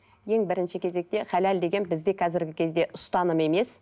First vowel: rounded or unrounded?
unrounded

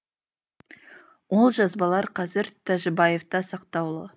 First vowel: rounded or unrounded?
rounded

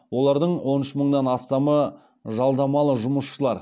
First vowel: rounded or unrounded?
rounded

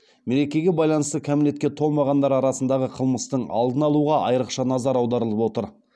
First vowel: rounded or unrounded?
unrounded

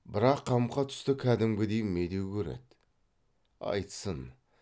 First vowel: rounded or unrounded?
unrounded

